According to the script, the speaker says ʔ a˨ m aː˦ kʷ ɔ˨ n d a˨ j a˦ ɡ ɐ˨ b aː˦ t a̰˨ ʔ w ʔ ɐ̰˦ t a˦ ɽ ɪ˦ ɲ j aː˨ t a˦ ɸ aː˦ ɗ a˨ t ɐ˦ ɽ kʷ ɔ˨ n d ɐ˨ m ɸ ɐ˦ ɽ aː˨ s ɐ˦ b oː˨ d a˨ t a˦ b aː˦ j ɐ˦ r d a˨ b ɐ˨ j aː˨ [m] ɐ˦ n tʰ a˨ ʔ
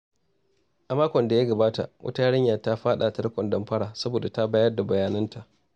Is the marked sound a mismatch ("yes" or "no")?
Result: yes